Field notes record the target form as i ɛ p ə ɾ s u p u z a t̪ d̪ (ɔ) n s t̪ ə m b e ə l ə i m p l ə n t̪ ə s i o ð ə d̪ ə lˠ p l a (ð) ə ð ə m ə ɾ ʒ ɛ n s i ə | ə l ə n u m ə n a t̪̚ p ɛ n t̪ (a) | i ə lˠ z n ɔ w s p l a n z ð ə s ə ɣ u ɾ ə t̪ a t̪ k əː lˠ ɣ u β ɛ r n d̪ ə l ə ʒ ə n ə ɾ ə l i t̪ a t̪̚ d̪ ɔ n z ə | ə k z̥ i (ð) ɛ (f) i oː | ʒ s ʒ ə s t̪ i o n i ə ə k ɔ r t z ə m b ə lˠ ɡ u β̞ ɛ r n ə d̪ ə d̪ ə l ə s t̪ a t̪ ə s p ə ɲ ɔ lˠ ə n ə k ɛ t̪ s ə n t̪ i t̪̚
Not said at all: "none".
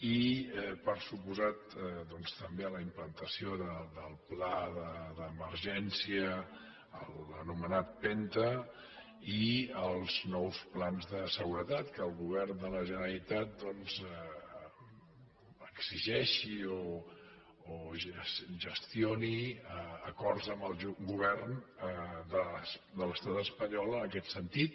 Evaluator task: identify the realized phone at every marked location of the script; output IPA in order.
ɔ, ð, ə, ʒ, ʃ

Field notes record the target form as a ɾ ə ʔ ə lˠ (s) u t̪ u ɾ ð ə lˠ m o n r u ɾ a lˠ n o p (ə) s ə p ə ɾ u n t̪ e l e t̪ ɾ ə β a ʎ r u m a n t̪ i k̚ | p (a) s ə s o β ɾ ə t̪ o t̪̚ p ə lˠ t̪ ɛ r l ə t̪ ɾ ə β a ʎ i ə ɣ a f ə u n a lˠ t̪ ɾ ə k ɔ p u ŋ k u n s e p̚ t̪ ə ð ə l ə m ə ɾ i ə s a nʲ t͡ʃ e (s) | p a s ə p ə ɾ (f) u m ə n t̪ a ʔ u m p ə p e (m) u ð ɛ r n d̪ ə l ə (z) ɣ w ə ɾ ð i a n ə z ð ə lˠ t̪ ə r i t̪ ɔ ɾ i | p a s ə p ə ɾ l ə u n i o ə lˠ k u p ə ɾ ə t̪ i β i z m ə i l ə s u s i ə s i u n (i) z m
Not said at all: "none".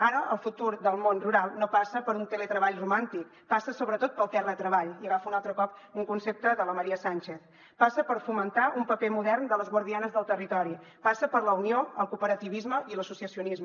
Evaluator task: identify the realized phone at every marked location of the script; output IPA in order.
f, a, a, θ, f, m, z, i

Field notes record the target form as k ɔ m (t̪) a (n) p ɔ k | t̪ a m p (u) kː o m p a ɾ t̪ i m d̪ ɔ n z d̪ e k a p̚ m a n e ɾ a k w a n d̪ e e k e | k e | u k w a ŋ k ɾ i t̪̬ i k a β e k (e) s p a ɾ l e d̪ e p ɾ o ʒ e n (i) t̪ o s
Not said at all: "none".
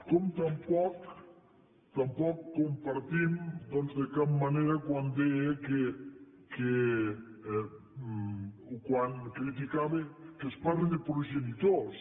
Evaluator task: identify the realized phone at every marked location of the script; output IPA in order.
t̪, m, ɔ, e, i

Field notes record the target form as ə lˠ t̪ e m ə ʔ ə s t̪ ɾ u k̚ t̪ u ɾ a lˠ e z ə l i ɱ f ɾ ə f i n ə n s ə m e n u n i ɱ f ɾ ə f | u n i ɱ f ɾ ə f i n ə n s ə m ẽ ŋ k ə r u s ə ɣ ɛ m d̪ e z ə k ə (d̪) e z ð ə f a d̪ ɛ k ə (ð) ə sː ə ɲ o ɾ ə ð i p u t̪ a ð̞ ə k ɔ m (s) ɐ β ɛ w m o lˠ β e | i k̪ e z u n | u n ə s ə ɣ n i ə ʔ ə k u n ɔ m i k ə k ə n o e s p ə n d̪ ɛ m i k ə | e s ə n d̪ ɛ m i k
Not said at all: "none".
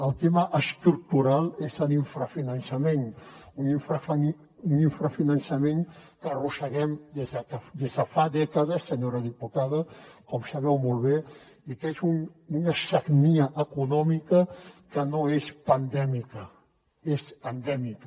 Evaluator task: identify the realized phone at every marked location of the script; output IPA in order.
d̪, ð, s

